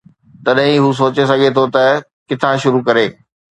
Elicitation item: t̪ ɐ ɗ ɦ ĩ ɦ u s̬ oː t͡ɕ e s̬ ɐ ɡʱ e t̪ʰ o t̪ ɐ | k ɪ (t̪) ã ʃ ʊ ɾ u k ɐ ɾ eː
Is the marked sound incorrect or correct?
incorrect